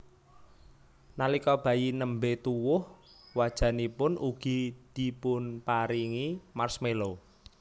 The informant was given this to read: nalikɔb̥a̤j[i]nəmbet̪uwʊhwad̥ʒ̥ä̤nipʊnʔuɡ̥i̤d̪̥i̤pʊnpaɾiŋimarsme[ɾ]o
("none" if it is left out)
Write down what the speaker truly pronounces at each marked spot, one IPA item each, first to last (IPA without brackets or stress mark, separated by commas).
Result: i, l